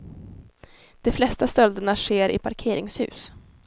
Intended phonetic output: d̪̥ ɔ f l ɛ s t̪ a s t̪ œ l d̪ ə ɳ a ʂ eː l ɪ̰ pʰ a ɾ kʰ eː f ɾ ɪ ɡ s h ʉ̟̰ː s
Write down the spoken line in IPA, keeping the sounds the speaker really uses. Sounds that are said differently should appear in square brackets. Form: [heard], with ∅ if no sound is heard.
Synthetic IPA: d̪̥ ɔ f l ɛ s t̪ a s t̪ œ l d̪ ə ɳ a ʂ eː [ɾ] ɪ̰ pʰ a ɾ kʰ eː [∅] ɾ ɪ [ŋ] s h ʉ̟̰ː s